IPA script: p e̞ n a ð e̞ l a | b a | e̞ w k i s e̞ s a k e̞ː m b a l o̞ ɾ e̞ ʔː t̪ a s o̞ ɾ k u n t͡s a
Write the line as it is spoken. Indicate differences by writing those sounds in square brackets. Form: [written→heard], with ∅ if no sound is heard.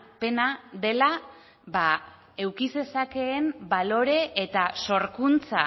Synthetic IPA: p e̞ n a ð e̞ l a | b a | e̞ w k i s e̞ s a k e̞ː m b a l o̞ ɾ e̞ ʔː t̪ a s o̞ ɾ k u n t͡s a